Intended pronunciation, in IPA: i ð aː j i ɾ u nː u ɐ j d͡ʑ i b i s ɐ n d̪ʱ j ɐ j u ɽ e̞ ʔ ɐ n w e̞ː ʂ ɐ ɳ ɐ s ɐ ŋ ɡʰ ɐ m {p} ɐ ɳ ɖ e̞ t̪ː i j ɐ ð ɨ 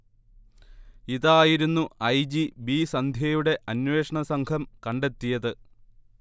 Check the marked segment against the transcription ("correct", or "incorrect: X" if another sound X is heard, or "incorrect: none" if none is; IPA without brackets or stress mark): incorrect: k